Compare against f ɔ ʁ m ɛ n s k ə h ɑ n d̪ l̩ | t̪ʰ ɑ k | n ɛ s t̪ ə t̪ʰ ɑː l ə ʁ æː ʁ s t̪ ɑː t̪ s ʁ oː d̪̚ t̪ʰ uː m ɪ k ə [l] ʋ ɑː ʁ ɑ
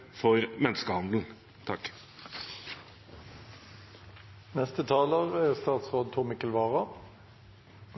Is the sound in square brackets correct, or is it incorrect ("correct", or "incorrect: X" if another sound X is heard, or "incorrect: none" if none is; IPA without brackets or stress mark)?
correct